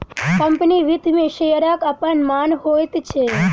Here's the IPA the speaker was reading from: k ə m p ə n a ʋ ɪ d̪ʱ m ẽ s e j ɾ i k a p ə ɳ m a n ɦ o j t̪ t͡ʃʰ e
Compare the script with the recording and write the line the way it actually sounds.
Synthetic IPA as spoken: k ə m p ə n i ʋ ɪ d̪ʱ m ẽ ʃ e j ɾ a k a p ə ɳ m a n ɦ o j t̪ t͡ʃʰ e

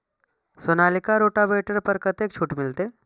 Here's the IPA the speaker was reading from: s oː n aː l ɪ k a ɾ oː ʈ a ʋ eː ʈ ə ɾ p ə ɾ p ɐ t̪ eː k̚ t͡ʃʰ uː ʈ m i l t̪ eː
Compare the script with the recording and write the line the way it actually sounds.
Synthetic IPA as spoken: s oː n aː l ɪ k a ɾ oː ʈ a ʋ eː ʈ ə ɾ p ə ɾ k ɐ t̪ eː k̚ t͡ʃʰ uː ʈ m ɪ l t̪ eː

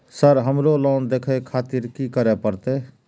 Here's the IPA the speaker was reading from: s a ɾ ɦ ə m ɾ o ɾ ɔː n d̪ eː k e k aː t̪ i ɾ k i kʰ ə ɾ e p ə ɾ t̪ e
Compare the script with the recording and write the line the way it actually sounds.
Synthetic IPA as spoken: s ə ɾ ɦ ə m ɾ o l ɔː n d̪ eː kʰ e kʰ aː t̪ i ɾ k i k ə ɾ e p ə ɾ t̪ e

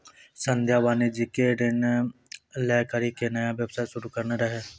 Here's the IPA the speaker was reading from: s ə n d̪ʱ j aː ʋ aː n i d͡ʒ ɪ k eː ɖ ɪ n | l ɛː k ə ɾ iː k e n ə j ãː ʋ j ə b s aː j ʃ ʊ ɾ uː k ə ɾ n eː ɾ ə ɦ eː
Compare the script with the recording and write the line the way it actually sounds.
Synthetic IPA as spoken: s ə n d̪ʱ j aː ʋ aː n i d͡ʒ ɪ k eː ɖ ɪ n | l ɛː k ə ɾ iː k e n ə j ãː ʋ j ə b s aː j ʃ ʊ ɾ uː k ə ɾ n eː ɾ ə ɦ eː

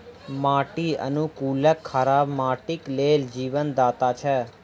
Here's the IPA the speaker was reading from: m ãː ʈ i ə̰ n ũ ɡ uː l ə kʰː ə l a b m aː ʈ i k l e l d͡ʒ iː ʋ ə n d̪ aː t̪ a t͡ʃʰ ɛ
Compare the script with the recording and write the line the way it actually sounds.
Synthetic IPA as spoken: m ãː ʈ i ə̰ n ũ k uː l ə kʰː ə ɾ a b m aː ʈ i k l e l d͡ʒ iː ʋ ə n d̪ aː t̪ a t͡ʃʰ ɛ

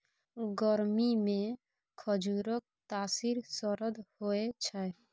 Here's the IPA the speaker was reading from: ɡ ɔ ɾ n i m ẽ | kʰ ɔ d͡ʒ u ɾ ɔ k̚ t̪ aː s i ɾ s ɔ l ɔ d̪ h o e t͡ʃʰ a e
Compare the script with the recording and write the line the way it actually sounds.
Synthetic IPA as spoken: ɡ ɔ ɾ m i m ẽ | kʰ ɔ d͡ʒ u ɾ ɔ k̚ t̪ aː s i ɾ s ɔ ɾ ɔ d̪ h o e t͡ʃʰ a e

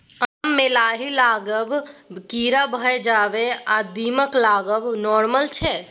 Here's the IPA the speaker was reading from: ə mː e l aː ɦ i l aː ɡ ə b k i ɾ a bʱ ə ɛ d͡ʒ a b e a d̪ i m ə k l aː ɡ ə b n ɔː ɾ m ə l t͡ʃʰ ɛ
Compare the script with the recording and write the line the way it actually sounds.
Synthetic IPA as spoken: a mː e l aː ɦ i l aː ɡ ə b k i ɾ a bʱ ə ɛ d͡ʒ a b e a d̪ i m ə k l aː ɡ ə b n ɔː ɾ m ə l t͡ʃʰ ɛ

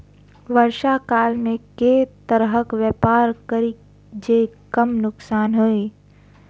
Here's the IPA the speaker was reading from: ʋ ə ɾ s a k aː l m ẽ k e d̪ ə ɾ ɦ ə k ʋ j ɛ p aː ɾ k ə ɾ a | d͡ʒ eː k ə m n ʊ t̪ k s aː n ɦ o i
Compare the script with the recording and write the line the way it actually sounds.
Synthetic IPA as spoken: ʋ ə ɾ ʃ a k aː l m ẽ k e t̪ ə ɾ ɦ ə k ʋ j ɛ p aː ɾ k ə ɾ i | d͡ʒ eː k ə m n ʊ k s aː n ɦ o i

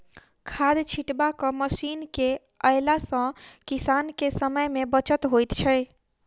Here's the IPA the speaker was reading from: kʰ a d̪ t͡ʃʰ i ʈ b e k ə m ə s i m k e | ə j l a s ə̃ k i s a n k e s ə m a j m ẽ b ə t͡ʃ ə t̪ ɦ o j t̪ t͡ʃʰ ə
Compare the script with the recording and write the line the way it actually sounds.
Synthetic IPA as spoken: kʰ a d̪ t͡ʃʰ i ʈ b a k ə m ə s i n k e | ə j l a s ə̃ k i s a n k e s ə m ə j m e b ə t͡ʃ ə t̪ ɦ o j t̪ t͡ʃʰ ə

